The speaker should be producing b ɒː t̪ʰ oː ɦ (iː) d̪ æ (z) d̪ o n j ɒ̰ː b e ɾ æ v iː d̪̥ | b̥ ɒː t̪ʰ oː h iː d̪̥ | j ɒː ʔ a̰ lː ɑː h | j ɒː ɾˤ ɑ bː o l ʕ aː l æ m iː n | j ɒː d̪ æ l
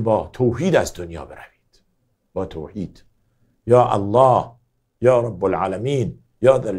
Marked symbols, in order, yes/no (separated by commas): yes, yes